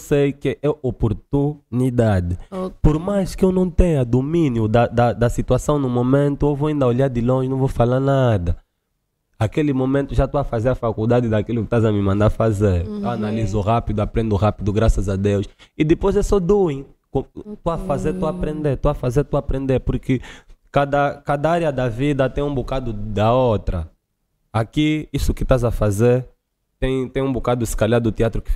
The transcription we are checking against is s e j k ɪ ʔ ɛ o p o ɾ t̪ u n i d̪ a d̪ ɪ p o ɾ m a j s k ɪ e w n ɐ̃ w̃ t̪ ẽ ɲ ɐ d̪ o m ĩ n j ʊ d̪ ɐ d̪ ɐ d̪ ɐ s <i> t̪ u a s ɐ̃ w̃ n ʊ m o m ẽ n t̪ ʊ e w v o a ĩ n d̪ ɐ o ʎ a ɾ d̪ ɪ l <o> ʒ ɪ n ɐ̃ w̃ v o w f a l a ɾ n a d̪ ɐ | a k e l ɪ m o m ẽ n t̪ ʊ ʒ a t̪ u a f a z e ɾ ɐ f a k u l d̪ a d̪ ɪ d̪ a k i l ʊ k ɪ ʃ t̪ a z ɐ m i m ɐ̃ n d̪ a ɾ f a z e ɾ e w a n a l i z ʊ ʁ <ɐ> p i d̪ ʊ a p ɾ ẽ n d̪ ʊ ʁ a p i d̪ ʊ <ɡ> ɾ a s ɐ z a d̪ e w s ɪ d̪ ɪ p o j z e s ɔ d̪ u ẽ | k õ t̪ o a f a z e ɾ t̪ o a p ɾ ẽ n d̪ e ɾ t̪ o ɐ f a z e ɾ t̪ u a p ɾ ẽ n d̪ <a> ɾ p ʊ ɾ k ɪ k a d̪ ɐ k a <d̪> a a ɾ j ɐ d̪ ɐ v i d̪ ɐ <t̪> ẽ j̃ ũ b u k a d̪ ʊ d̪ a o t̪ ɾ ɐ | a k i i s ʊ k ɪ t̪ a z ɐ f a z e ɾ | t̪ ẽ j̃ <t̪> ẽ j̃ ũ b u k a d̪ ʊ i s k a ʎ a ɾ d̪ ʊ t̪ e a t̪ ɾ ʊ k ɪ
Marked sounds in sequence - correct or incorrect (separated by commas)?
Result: correct, incorrect, incorrect, correct, incorrect, correct, correct, correct